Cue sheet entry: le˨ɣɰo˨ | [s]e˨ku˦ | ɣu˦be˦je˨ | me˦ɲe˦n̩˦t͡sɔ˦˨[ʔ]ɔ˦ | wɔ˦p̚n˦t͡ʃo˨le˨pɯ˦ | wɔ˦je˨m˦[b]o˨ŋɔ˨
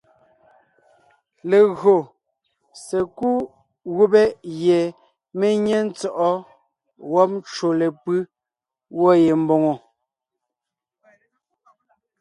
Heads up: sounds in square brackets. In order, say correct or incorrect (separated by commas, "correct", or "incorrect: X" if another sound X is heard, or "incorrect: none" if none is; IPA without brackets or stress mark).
correct, correct, correct